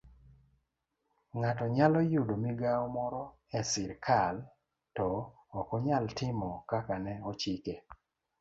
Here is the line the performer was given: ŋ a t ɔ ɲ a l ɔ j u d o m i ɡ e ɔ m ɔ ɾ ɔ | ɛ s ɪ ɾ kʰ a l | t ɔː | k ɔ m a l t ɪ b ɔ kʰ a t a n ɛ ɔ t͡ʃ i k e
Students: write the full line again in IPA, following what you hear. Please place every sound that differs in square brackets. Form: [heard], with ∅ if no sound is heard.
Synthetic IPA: ŋ a t ɔ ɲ a l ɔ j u d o m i ɡ [a] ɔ m ɔ ɾ ɔ | ɛ s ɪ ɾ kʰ a l | t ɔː | k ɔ [ɲ] a l t ɪ [m] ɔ [k] a [k] a n ɛ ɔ t͡ʃ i k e